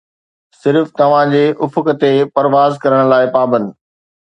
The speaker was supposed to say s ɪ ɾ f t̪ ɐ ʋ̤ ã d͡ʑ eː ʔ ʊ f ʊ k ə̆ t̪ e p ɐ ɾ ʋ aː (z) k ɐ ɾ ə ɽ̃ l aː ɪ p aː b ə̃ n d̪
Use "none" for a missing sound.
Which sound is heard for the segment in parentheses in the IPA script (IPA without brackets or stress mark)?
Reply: z